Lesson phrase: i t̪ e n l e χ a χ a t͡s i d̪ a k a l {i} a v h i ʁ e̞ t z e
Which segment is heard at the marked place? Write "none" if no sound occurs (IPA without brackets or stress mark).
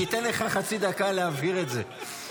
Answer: e